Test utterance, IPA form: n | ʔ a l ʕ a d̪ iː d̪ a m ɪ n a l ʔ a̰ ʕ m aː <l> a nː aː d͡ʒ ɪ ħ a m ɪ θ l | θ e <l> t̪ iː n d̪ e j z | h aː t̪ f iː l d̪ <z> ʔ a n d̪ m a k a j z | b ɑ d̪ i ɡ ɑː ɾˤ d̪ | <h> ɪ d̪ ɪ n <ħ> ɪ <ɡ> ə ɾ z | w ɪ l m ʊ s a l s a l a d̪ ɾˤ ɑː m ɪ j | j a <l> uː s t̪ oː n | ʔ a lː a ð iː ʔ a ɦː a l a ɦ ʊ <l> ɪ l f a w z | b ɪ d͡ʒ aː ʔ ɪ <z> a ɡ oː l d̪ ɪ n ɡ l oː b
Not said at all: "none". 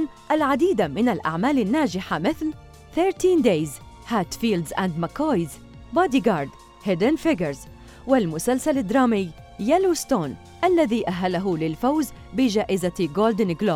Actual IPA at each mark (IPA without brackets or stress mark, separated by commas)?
l, ɾ, z, h, f, ɡ, l, l, z